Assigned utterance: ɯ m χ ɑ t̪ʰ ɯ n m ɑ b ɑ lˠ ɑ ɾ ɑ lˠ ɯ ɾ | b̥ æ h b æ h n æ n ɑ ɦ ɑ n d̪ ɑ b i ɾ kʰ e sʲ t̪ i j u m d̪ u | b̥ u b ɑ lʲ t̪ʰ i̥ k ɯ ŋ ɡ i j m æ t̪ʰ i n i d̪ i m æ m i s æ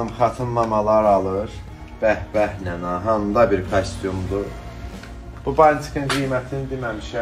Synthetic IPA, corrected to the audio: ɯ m χ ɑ t̪ʰ ɯ n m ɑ m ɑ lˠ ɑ ɾ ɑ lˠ ɯ ɾ | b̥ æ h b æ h n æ n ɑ ɦ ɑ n d̪ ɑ b i ɾ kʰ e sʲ t̪ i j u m d̪ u | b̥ u b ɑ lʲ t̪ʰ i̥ k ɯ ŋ ɡ i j m æ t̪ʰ i n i d̪ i m æ m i ʃ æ